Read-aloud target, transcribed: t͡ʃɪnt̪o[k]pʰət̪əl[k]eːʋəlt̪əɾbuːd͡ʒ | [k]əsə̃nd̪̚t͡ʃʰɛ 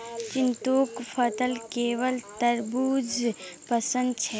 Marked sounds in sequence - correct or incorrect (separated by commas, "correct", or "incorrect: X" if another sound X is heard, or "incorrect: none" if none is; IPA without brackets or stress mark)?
correct, correct, incorrect: p